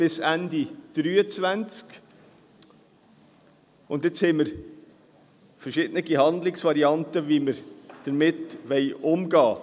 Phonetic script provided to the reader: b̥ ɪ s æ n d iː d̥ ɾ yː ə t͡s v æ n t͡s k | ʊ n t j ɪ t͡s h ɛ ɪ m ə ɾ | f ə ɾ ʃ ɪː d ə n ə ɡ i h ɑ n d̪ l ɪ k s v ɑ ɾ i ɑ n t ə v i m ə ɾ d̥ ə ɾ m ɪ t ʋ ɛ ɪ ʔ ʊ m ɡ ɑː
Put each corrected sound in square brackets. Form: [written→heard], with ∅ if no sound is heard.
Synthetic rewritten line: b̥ ɪ s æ n d [iː→i] d̥ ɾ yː ə t͡s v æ n t͡s k | ʊ n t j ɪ t͡s h ɛ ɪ m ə ɾ | f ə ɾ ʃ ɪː d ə n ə ɡ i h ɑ n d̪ l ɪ k s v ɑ ɾ i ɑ n t ə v i m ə ɾ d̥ ə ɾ m ɪ t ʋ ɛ ɪ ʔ ʊ m ɡ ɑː